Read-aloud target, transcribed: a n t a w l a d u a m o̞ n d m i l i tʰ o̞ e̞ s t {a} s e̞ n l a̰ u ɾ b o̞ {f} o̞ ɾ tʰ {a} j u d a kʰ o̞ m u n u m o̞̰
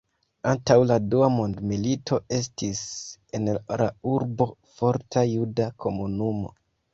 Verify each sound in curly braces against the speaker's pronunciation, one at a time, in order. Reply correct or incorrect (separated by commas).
incorrect, correct, correct